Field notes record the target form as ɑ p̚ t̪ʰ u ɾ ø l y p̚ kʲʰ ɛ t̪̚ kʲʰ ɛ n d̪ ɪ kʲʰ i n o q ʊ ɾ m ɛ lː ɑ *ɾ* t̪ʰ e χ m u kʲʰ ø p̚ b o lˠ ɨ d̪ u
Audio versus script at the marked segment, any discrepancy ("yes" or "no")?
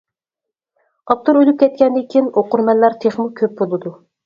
no